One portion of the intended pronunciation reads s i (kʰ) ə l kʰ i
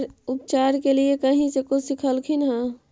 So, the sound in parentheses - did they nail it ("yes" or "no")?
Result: yes